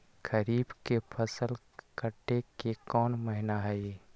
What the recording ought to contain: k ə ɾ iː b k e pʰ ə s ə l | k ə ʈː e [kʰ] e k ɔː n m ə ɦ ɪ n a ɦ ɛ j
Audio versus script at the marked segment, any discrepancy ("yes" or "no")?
yes